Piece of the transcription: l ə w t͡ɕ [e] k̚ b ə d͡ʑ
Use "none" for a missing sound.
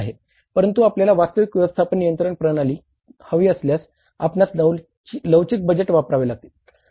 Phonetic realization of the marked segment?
i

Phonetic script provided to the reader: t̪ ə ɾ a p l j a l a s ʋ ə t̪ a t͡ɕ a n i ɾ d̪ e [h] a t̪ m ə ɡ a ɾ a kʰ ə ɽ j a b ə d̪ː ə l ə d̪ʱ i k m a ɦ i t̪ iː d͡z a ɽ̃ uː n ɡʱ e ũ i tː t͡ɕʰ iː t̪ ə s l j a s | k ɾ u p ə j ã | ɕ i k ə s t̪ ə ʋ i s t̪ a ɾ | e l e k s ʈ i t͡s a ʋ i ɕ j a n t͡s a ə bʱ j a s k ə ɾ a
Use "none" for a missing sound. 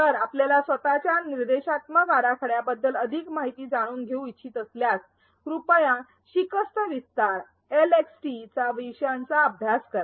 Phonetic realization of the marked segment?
ɕ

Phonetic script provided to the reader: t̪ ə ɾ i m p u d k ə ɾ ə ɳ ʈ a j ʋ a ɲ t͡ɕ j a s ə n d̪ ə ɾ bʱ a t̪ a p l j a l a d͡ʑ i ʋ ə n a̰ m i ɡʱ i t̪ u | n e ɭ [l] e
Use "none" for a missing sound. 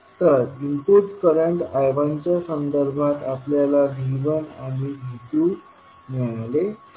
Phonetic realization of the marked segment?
l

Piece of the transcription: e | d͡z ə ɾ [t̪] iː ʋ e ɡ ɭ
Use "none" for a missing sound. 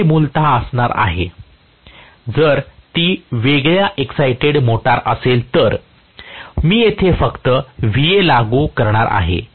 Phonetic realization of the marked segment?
t̪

